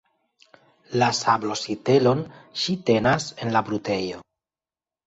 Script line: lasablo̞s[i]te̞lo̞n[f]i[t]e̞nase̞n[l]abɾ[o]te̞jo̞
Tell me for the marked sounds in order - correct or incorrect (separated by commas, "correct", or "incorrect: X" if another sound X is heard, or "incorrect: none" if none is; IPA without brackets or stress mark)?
correct, incorrect: ʃ, correct, correct, incorrect: u